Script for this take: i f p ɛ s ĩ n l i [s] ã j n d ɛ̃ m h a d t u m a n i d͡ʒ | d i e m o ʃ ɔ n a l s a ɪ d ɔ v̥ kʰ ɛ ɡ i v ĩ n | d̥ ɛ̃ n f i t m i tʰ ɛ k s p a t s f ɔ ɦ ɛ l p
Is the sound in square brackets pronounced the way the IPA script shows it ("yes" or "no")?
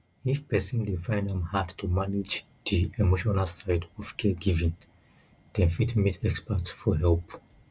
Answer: no